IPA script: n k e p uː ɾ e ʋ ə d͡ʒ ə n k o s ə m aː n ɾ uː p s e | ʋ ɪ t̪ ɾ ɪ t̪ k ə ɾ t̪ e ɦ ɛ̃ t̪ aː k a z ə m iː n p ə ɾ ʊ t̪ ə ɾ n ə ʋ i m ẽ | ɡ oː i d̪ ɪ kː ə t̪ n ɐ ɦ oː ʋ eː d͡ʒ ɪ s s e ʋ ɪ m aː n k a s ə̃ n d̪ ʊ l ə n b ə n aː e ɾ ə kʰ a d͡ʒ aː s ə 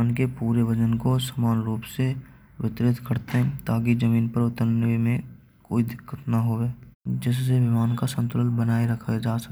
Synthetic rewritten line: n k e p uː ɾ e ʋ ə d͡ʒ ə n k o s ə m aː n ɾ uː p s e | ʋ ɪ t̪ ɾ ɪ t̪ k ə ɾ t̪ e ɦ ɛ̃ t̪ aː k i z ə m iː n p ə ɾ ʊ t̪ ə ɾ n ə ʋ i m ẽ | k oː i d̪ ɪ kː ə t̪ n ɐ ɦ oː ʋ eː d͡ʒ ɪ s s e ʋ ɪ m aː n k a s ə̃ n t̪ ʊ l ə n b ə n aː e ɾ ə kʰ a d͡ʒ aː s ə